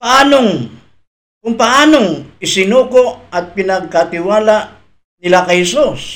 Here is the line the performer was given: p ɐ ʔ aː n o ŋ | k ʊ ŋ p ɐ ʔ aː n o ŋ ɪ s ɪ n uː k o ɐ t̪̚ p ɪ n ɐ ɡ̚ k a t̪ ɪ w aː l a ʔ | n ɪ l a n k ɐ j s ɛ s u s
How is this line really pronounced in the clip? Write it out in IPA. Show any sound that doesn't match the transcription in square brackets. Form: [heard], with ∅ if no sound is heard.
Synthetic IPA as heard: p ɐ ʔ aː n o ŋ | k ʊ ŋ p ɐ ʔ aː n o ŋ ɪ s ɪ n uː k o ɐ t̪̚ p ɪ n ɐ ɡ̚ k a t̪ ɪ w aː l a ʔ | n ɪ l a [∅] k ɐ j [h] ɛ s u s